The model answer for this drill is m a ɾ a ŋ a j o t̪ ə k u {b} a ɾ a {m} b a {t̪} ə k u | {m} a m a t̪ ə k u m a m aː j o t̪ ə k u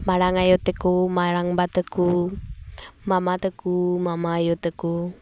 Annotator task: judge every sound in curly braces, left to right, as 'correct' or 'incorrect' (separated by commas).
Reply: incorrect, incorrect, correct, correct